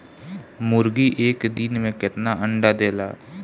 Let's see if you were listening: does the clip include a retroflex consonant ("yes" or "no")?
yes